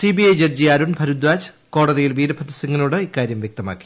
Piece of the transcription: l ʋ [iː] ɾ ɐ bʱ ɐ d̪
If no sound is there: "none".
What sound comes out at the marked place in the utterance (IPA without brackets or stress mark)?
iː